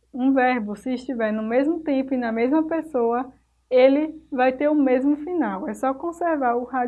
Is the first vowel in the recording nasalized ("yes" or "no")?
yes